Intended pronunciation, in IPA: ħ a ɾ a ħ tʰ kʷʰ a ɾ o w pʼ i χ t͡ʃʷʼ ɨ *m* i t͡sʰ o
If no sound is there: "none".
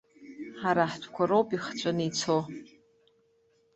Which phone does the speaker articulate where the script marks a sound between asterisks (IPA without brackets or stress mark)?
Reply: n